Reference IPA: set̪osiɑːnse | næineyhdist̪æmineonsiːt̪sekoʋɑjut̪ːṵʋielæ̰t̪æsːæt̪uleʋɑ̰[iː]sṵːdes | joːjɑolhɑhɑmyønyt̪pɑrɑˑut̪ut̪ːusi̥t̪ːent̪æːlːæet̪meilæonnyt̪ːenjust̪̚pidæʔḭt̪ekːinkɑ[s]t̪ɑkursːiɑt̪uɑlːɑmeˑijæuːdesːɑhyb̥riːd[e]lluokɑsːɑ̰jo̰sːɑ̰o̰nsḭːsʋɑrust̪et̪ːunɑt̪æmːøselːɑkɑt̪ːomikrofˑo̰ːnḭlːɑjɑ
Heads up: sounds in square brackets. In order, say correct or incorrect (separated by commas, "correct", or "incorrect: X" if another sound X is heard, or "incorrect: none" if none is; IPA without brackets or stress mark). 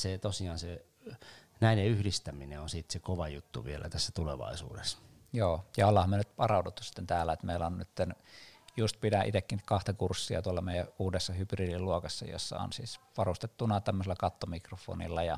incorrect: i, incorrect: h, incorrect: i